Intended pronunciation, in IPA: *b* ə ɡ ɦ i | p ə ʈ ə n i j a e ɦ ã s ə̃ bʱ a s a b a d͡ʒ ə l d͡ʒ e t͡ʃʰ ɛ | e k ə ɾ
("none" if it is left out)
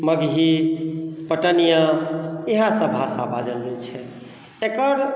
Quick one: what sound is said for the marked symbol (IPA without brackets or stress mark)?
m